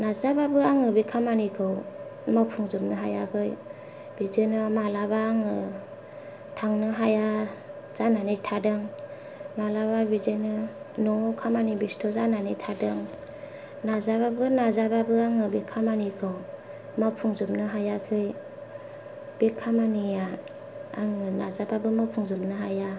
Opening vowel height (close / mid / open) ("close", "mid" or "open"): open